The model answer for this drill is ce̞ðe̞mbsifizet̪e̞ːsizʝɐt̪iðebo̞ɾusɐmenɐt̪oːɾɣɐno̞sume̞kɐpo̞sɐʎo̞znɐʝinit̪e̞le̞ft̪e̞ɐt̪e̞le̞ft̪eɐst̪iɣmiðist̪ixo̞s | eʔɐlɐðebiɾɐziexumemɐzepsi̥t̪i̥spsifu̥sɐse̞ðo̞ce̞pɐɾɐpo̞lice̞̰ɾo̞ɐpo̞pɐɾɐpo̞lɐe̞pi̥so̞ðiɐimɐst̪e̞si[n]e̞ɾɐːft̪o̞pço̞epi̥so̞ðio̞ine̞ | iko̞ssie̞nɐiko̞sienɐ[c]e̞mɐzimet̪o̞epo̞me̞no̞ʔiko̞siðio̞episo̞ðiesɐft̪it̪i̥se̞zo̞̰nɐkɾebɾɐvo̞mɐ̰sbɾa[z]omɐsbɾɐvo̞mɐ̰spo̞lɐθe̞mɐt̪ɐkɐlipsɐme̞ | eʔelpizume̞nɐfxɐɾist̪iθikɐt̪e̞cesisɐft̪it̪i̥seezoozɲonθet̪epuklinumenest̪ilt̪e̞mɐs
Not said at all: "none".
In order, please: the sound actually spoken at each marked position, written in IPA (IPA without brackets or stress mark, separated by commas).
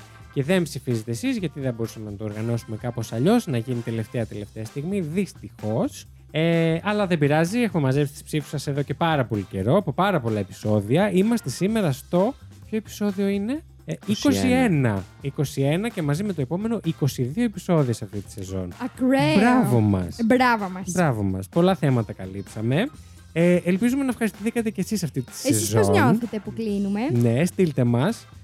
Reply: m, c, v